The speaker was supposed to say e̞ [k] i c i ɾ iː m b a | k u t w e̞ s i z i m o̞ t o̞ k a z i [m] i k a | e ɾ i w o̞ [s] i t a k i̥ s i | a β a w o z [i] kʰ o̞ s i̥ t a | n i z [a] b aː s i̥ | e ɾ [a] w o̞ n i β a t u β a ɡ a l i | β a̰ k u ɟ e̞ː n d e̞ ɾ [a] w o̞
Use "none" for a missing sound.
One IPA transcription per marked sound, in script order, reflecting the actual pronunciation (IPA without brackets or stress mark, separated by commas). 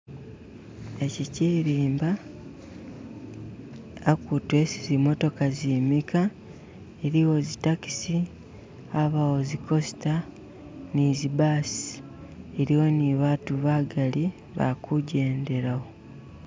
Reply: c, m, z, i, i, i, a